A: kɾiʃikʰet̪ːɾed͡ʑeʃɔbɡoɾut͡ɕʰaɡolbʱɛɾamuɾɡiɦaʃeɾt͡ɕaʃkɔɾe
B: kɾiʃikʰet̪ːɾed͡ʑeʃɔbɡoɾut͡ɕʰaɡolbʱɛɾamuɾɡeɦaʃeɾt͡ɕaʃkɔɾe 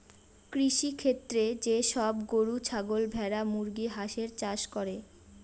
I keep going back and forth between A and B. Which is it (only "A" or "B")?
A